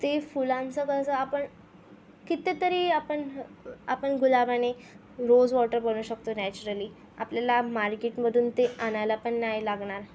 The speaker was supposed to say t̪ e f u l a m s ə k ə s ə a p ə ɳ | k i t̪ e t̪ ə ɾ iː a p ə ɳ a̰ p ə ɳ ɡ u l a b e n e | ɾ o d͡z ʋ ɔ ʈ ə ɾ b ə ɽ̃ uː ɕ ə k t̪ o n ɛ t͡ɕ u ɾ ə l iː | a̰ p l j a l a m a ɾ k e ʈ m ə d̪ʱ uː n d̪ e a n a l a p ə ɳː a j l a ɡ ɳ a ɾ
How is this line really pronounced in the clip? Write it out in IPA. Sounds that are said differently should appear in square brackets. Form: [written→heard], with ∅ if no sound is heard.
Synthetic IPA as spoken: t̪ e f u l a m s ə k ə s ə a p ə ɳ | k i t̪ e t̪ ə ɾ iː a p ə ɳ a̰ p ə ɳ ɡ u l a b [e→a] n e | ɾ o d͡z ʋ ɔ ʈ ə ɾ b ə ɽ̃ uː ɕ ə k t̪ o n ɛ t͡ɕ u ɾ ə l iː | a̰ p l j a l a m a ɾ k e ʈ m ə d̪ʱ uː n [d̪→t̪] e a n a l a p ə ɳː a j l a ɡ ɳ a ɾ